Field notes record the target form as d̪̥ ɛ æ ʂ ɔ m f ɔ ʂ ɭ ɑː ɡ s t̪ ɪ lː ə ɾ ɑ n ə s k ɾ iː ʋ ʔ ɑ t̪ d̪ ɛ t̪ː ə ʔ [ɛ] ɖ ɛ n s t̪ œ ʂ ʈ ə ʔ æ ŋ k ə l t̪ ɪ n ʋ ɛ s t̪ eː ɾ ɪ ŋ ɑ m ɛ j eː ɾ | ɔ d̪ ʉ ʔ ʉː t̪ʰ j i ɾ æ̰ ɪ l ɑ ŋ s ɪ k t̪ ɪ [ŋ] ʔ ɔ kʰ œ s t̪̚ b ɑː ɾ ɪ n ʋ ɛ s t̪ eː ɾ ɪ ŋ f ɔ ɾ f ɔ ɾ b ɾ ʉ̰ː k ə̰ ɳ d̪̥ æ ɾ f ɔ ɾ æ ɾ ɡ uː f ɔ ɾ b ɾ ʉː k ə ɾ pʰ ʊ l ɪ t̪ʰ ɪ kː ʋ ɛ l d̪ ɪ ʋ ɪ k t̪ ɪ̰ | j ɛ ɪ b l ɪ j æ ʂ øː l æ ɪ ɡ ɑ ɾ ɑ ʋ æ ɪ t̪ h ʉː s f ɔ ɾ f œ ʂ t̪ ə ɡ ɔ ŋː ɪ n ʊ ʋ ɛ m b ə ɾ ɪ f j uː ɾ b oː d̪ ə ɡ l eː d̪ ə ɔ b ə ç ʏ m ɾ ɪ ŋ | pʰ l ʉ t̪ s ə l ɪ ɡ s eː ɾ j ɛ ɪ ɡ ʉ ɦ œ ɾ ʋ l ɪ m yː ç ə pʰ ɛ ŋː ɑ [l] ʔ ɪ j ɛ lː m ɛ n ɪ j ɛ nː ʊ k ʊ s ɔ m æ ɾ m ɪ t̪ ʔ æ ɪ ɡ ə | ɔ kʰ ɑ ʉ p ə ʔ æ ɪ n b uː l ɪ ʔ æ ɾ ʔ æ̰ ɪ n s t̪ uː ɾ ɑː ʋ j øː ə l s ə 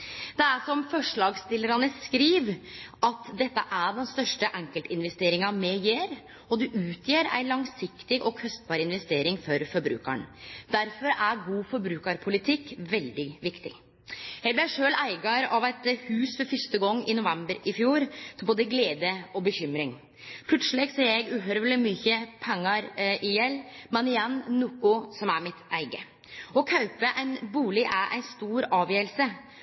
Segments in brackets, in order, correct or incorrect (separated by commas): incorrect, incorrect, incorrect